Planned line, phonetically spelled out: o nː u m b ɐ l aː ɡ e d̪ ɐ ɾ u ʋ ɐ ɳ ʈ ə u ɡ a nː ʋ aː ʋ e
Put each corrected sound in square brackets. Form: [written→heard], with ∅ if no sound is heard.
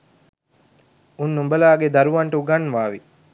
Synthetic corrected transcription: [o→u] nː u m b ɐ l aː ɡ e d̪ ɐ ɾ u ʋ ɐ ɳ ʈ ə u ɡ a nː ʋ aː ʋ [e→i]